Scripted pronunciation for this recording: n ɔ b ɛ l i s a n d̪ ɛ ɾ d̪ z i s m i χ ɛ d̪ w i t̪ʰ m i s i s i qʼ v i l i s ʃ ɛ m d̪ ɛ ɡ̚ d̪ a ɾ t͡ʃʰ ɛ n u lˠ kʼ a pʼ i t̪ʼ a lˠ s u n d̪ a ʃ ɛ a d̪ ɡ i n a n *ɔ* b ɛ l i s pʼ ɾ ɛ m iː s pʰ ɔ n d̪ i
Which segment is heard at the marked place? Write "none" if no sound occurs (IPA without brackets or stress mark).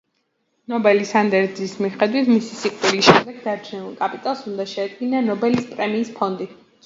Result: ɔ